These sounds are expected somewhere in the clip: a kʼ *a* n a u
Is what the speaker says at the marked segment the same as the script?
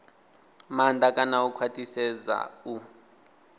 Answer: yes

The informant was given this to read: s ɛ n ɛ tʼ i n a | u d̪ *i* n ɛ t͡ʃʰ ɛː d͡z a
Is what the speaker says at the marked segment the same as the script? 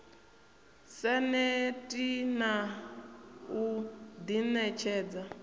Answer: yes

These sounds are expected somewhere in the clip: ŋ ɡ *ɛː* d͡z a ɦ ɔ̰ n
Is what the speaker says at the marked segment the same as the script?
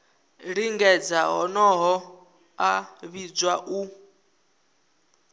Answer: no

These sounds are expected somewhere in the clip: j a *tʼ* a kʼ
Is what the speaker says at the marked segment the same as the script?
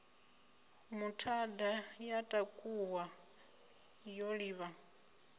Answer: yes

